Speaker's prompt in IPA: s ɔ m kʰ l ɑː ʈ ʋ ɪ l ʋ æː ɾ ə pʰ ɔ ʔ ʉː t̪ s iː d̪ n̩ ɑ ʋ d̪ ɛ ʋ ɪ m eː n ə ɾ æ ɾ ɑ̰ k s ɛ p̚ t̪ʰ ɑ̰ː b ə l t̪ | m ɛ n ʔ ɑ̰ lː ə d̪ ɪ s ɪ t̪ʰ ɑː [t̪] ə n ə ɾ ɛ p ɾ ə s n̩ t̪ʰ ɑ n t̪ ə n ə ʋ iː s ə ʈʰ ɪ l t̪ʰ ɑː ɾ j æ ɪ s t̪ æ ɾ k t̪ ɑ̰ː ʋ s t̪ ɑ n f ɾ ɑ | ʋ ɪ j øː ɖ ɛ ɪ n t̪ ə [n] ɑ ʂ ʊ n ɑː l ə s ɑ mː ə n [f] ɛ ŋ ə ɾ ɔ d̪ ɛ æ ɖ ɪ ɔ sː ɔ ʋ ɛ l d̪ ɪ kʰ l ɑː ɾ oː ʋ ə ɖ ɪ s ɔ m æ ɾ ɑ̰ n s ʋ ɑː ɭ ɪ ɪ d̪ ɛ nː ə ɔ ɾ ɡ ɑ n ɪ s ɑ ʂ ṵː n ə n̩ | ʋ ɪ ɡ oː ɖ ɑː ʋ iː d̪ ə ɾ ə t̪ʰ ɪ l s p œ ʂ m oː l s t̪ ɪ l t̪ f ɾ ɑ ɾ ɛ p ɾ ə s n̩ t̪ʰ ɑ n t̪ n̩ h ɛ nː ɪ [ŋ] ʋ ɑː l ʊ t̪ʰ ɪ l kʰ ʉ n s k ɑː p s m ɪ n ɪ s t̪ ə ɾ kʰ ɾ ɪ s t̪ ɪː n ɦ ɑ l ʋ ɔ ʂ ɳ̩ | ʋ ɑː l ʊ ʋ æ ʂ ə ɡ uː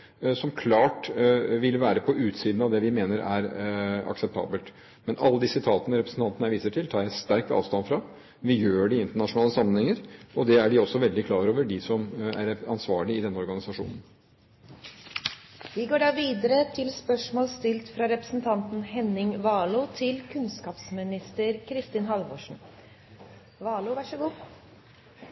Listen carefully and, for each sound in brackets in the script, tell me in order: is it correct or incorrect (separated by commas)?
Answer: correct, incorrect, incorrect, correct